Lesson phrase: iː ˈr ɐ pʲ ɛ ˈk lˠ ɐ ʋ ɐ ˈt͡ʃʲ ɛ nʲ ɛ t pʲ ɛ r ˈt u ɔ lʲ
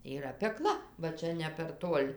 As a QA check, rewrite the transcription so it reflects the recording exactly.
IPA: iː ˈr ɐ pʲ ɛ ˈk lˠ ɐ ʋ ɐ ˈt͡ʃʲ ɛ nʲ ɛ pʲ ɛ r ˈt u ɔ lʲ